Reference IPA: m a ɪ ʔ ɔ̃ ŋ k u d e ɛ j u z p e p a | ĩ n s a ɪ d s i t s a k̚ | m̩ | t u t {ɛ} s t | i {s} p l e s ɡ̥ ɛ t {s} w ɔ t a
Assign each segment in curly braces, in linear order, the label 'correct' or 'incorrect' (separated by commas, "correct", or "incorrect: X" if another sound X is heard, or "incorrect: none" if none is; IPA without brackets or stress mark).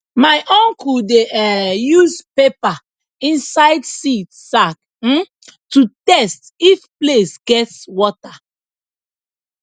correct, incorrect: f, correct